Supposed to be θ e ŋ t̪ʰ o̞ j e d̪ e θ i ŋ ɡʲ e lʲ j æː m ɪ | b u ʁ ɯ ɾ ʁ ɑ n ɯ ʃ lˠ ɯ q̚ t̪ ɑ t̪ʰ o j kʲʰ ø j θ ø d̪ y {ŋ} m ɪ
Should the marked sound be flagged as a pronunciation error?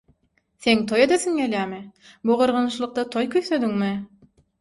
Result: no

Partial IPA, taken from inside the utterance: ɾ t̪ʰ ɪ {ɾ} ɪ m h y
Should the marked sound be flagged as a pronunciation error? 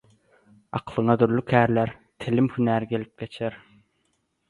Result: yes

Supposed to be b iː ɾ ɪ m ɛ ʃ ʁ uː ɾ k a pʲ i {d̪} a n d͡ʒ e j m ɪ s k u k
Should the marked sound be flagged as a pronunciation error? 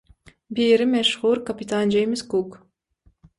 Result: yes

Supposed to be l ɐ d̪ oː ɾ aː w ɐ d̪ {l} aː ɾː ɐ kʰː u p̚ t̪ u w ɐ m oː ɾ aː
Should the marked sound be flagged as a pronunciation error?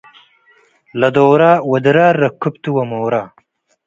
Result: yes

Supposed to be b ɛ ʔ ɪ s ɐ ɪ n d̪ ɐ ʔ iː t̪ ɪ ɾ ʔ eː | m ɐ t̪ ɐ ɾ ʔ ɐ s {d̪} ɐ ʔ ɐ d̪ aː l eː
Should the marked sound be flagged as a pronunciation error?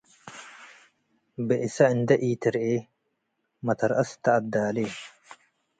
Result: yes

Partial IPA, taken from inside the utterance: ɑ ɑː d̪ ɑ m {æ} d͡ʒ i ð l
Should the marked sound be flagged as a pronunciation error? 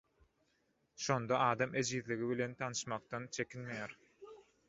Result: yes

